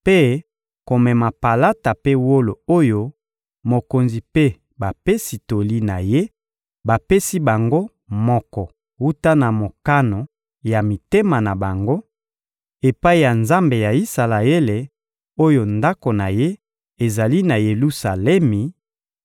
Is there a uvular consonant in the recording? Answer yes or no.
no